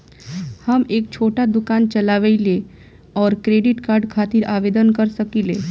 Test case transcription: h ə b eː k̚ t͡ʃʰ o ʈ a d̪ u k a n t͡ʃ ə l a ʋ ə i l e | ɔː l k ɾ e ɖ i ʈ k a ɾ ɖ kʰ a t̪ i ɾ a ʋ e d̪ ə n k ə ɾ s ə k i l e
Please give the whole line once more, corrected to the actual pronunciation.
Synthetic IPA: h ə m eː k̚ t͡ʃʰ o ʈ a d̪ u k a n t͡ʃ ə l a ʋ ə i l e | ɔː ɾ k ɾ e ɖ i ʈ k a ɾ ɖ kʰ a t̪ i ɾ a ʋ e d̪ ə n k ə ɾ s ə k i l e